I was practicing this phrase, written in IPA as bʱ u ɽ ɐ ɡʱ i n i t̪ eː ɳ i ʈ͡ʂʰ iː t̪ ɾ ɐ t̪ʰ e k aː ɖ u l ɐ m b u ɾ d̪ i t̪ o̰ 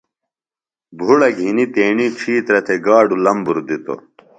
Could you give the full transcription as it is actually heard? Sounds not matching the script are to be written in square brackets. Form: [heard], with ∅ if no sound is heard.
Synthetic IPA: bʱ u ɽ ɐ ɡʱ i n i t̪ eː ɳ i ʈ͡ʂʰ iː t̪ ɾ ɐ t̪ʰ e [ɡ] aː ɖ u l ɐ m b u ɾ d̪ i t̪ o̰